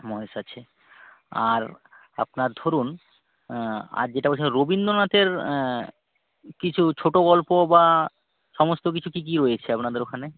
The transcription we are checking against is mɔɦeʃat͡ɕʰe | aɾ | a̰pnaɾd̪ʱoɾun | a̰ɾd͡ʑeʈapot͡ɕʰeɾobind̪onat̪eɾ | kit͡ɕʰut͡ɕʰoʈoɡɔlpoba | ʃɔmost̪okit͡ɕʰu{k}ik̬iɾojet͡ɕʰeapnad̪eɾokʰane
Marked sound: correct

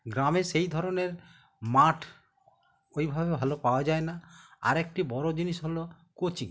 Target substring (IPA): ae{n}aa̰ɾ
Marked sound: correct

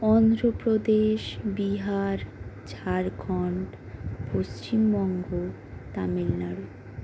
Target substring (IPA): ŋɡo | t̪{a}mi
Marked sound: correct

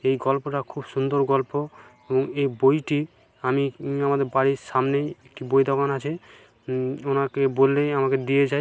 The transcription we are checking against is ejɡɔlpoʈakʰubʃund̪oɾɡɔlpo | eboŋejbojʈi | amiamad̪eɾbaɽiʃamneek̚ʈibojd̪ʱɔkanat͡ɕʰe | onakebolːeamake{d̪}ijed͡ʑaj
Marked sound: correct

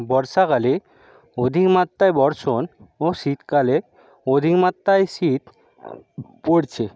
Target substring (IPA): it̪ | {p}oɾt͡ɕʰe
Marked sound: correct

